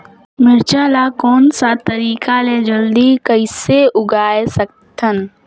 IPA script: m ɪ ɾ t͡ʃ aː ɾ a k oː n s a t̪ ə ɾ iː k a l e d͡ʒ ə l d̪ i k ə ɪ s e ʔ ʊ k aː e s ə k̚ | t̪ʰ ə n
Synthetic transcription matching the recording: m ɪ ɾ t͡ʃ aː l a k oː n s a t̪ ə ɾ iː k a l e d͡ʒ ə l d̪ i k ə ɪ s e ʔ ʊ ɡ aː e s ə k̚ | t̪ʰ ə n